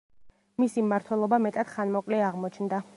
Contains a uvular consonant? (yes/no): yes